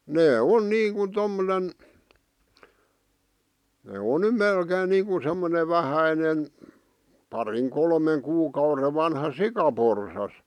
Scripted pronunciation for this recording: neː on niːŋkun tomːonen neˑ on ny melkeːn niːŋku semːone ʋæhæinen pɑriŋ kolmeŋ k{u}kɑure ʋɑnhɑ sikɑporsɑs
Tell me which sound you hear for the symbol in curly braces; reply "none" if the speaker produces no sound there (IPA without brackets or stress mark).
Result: uː